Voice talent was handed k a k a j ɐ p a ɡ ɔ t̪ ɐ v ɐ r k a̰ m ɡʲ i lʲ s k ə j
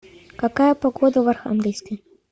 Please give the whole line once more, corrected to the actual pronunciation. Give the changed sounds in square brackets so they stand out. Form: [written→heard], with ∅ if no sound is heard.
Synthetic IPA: k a k a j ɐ p a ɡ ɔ [t̪→d̪] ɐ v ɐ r [k→x] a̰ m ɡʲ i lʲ s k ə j